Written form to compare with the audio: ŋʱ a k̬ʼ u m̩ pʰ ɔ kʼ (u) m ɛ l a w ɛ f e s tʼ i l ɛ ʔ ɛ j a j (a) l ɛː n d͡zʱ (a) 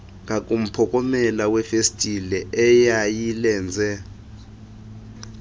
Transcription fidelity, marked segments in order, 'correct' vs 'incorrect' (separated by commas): incorrect, incorrect, incorrect